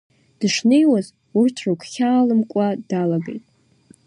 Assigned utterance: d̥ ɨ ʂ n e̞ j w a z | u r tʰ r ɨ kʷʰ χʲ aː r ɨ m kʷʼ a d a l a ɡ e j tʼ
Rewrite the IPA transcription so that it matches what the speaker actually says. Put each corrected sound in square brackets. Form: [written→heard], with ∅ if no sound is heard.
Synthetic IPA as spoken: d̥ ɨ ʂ n e̞ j w a z | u r tʰ r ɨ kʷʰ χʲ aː [r→l] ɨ m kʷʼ a d a l a ɡ e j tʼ

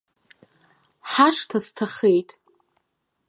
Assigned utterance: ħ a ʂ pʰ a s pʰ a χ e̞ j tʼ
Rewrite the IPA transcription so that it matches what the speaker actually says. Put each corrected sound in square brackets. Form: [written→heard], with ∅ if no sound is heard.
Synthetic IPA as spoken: ħ a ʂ [pʰ→tʰ] a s [pʰ→tʰ] a χ e̞ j tʼ

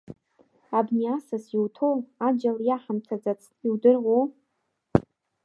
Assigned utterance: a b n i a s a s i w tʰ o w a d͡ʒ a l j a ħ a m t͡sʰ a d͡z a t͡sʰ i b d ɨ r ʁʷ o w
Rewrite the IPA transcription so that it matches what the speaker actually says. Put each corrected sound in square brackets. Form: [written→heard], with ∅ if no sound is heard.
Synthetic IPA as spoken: a b n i a s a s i w tʰ o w a d͡ʒ a l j a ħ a m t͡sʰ a d͡z a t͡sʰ i [b→w] d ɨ r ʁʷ o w

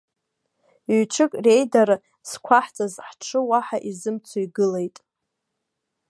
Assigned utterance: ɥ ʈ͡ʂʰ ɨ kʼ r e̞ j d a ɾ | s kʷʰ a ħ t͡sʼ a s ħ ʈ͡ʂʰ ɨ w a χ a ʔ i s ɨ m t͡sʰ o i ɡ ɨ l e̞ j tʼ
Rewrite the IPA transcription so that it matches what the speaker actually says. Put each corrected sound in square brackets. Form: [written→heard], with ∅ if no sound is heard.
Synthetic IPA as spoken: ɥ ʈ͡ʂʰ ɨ kʼ r e̞ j d a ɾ | s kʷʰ a ħ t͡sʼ a [s→z] ħ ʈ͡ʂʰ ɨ w a [χ→ħ] a ʔ i [s→z] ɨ m t͡sʰ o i ɡ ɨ l e̞ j tʼ

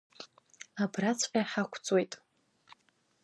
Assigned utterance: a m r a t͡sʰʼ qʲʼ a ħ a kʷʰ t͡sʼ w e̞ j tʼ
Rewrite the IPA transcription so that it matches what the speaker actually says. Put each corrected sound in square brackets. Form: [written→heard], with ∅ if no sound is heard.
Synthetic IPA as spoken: a [m→b] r a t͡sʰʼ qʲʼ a ħ a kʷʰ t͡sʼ w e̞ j tʼ

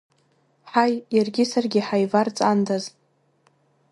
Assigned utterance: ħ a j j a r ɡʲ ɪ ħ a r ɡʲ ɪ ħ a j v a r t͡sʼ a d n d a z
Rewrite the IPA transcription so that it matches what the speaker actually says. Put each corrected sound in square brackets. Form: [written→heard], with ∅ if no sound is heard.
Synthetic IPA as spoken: ħ a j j a r ɡʲ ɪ [ħ→s] a r ɡʲ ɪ ħ a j v a r t͡sʼ a [d→∅] n d a z

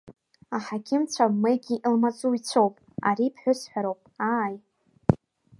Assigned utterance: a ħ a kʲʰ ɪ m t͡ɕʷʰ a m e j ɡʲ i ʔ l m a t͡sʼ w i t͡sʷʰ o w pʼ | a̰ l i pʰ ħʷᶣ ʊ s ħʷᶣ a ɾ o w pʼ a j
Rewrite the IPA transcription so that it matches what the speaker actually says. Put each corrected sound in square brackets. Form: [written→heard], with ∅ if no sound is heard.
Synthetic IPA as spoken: a ħ a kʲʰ ɪ m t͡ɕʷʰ a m e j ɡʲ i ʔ l m a t͡sʼ [w→u] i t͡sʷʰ o w pʼ | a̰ [l→ɾ] i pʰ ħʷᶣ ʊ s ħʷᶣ a ɾ o w pʼ a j

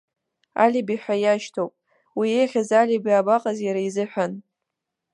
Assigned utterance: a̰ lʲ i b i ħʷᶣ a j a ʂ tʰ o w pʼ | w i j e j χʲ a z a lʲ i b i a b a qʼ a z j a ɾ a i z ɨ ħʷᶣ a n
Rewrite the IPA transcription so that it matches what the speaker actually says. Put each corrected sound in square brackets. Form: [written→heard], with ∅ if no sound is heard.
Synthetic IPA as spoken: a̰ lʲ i b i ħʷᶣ a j a [ʂ→ʃ] tʰ o w pʼ | w i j e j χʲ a z a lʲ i b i a b a qʼ a z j a ɾ a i z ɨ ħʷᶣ a n

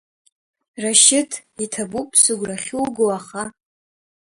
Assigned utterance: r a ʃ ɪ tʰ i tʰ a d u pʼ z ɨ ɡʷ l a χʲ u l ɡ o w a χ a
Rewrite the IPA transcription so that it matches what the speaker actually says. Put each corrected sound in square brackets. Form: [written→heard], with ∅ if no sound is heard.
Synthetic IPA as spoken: r a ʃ ɪ tʰ i tʰ a [d→b] u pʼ [z→s] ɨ ɡʷ [l→r] a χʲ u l ɡ o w a χ a

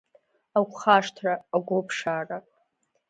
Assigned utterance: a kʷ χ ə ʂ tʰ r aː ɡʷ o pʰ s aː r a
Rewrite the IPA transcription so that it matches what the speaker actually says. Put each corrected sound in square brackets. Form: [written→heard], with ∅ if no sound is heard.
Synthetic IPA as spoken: a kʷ χ [ə→a] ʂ tʰ r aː ɡʷ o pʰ [s→ʂ] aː r a

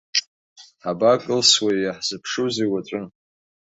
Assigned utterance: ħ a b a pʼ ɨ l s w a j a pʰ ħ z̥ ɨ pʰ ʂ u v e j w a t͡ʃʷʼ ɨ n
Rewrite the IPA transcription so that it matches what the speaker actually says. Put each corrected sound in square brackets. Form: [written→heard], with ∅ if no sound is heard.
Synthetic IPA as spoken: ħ a b a [pʼ→kʼ] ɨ l s w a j a [pʰ→∅] ħ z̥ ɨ pʰ ʂ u [v→z] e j w a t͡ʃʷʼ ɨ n

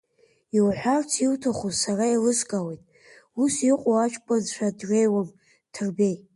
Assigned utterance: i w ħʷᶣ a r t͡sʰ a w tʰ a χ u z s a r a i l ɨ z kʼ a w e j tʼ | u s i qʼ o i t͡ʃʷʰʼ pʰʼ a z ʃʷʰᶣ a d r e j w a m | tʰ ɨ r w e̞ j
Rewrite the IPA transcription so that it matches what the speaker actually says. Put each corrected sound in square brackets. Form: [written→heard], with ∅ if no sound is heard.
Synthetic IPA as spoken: i w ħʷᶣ a r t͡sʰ [a→i] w tʰ a χ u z s a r a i l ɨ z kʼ a w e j tʼ | u s i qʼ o [i→a] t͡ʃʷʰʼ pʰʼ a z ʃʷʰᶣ a d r e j w a m | tʰ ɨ r [w→b] e̞ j

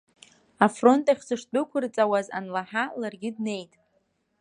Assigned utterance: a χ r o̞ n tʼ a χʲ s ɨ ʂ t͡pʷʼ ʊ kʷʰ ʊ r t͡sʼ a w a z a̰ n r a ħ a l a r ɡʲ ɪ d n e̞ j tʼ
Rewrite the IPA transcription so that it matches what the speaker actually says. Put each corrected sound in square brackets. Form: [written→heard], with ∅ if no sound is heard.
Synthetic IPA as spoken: a [χ→f] r o̞ n tʼ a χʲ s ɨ ʂ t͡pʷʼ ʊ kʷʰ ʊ r t͡sʼ a w a z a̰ n [r→l] a ħ a l a r ɡʲ ɪ d n e̞ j tʼ

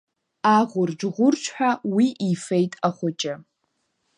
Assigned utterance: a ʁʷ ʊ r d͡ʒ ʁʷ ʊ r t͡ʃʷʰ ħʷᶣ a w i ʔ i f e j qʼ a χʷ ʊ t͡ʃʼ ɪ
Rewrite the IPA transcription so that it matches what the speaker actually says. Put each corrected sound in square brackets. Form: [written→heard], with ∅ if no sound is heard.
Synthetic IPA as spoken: a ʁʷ ʊ r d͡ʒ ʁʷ ʊ r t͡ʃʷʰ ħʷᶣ a w i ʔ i f e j [qʼ→tʼ] a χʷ ʊ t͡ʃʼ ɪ

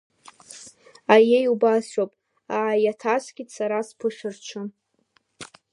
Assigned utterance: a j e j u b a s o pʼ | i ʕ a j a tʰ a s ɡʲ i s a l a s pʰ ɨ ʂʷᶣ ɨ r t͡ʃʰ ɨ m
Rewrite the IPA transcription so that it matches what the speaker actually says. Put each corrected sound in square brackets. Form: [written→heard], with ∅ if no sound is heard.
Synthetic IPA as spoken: a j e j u b a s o pʼ | [i→a] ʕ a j a tʰ a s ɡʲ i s a [l→ɾ] a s pʰ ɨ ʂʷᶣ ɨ r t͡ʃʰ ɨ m

